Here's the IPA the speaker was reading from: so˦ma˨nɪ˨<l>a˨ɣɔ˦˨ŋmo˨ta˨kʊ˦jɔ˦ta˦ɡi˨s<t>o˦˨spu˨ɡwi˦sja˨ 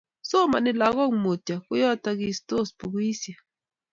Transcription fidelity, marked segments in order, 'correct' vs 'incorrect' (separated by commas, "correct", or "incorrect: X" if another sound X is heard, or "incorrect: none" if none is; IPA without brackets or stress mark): correct, correct